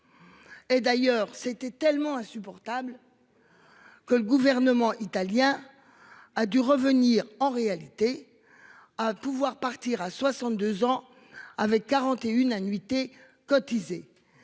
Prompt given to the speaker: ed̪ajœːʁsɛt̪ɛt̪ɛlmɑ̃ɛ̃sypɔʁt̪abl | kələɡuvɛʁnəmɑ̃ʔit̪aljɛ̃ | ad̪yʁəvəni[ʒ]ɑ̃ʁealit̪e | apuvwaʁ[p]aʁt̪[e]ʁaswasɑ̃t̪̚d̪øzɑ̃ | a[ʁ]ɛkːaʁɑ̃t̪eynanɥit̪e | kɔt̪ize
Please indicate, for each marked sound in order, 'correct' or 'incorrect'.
incorrect, correct, incorrect, incorrect

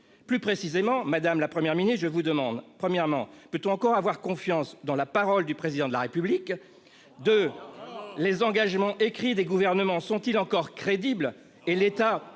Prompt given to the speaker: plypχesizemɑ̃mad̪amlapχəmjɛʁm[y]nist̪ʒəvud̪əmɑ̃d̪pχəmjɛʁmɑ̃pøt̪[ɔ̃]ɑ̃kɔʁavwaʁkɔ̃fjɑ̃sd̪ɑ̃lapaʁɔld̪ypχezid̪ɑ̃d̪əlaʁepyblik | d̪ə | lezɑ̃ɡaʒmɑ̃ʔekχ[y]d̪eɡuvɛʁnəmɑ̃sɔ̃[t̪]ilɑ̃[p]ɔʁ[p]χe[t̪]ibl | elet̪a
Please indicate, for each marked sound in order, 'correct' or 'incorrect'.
incorrect, correct, incorrect, correct, incorrect, incorrect, incorrect

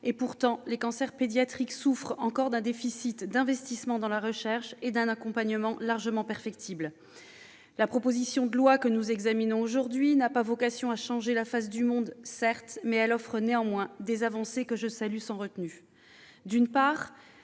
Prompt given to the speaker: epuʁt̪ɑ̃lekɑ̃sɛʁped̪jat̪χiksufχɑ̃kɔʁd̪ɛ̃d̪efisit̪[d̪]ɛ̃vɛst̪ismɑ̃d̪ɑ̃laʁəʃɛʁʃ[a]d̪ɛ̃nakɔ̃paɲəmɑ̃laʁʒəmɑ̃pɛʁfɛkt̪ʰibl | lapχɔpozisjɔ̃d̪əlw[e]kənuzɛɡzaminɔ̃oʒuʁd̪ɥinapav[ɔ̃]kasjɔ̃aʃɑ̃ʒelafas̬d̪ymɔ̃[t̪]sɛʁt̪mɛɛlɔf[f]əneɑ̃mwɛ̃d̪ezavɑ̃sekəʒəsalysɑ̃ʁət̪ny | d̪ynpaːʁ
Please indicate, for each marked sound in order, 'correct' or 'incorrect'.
correct, incorrect, incorrect, incorrect, incorrect, incorrect

